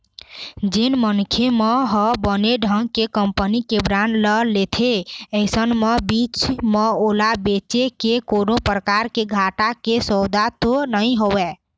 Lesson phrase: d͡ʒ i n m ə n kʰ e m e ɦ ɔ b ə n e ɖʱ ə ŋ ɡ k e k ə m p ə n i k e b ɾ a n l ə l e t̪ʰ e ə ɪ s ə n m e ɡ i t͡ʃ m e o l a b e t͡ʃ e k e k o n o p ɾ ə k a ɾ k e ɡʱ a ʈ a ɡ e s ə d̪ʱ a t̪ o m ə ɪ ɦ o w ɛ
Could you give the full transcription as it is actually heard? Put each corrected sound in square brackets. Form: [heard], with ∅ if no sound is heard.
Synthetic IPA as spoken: d͡ʒ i n m ə n kʰ e m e ɦ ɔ b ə n e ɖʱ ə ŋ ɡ k e k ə m p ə n i k e b ɾ a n l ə l e t̪ʰ e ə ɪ s ə n m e [b] i t͡ʃ m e o l a b e t͡ʃ e k e k o n o p ɾ ə k a ɾ k e ɡʱ a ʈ a [k] e s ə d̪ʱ a t̪ o [n] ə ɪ ɦ o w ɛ